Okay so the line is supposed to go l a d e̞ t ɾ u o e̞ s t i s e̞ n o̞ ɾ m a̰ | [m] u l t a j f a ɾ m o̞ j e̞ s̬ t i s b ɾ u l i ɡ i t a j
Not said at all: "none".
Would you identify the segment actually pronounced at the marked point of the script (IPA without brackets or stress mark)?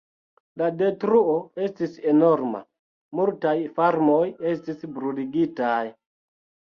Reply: m